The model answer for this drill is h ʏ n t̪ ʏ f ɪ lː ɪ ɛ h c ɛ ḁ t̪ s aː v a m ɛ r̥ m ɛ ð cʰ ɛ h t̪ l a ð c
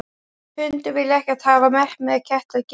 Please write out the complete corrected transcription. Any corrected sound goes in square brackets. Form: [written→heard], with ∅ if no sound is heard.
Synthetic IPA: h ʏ n t̪ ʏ [f→v] ɪ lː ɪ ɛ h c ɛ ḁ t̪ [s→h] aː v a m ɛ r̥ m ɛ ð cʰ ɛ h t̪ l a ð c